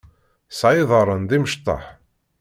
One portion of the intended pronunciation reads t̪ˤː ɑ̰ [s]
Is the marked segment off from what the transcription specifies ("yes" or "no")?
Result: yes